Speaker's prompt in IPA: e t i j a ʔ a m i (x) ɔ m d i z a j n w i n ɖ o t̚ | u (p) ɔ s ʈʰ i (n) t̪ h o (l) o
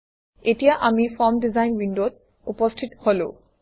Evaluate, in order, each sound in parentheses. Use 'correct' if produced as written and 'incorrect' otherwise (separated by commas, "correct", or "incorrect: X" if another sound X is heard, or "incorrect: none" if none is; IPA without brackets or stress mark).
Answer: incorrect: f, correct, incorrect: none, correct